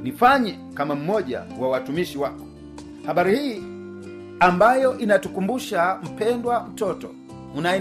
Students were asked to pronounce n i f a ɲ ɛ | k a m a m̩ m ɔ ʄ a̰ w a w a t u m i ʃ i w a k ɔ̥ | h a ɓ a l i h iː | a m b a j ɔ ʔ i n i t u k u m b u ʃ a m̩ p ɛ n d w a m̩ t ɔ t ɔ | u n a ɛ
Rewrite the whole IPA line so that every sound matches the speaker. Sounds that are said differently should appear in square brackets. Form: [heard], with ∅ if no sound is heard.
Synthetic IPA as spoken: n i f a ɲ ɛ | k a m a m̩ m ɔ ʄ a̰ w a w a t u m i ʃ i w a k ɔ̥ | h a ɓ a [ɾ] i h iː | a m b a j ɔ ʔ i n [a] t u k u m b u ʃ a m̩ p ɛ n d w a m̩ t ɔ t ɔ | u n a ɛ